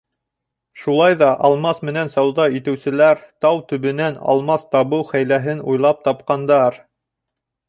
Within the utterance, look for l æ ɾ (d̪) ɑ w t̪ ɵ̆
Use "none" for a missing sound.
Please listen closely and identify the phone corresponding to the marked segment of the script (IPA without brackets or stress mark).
t̪